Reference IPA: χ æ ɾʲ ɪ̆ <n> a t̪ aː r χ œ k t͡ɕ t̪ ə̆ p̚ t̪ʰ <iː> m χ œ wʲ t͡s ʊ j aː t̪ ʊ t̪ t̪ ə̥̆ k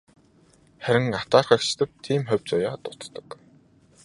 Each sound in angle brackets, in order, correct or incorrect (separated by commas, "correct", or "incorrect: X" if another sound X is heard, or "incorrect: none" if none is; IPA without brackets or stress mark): incorrect: ŋ, correct